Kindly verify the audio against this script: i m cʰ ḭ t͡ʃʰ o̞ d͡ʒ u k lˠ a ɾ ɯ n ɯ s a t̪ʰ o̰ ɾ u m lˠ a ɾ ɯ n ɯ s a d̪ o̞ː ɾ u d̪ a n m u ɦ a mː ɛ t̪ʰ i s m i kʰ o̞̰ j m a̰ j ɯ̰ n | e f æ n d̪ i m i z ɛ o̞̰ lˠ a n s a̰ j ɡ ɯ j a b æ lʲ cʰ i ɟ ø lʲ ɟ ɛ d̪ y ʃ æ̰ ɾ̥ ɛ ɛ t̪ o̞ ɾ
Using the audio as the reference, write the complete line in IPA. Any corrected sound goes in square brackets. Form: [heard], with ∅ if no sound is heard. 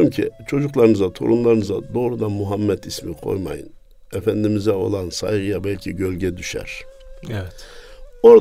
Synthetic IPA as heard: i m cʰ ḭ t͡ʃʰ o̞ d͡ʒ u k lˠ a ɾ ɯ n ɯ [z] a t̪ʰ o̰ ɾ u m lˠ a ɾ ɯ n ɯ [z] a d̪ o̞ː ɾ u d̪ a n m u ɦ a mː ɛ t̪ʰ i s m i kʰ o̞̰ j m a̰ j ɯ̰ n | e f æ n d̪ i m i z ɛ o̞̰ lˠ a n s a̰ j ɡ ɯ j a b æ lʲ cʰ i ɟ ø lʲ ɟ ɛ d̪ y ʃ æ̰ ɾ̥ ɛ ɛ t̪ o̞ ɾ